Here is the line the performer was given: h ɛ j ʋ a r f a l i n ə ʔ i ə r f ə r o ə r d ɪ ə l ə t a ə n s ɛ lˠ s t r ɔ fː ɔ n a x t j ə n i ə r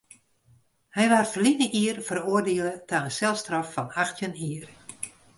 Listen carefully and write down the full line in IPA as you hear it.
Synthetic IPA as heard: h ɛ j ʋ a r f ə l i n ə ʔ i ə r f ə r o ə r d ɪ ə l ə t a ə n s ɛ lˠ s t r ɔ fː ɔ n a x t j ə n i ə r